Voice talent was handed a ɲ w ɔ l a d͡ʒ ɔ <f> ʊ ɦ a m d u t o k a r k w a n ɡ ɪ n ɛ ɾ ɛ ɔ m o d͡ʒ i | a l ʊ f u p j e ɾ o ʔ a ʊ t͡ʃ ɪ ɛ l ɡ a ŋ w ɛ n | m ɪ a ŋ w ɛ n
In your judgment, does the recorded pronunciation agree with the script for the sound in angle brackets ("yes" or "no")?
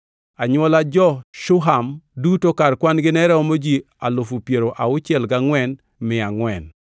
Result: no